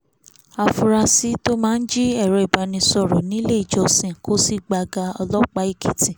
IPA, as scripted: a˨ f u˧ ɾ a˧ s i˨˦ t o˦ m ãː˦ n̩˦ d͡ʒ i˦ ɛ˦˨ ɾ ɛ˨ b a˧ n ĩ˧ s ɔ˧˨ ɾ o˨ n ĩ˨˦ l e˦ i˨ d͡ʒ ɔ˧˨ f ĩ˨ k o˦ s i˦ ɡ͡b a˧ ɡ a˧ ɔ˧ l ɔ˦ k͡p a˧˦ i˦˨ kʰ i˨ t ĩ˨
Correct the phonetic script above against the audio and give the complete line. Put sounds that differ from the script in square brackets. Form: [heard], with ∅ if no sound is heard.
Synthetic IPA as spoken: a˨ f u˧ ɾ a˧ s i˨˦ t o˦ m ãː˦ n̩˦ d͡ʒ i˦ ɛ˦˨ ɾ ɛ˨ b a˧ n ĩ˧ s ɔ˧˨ ɾ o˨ n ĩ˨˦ l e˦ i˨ d͡ʒ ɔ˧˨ [s] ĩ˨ k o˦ s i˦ ɡ͡b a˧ ɡ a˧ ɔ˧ l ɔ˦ k͡p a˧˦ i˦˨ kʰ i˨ t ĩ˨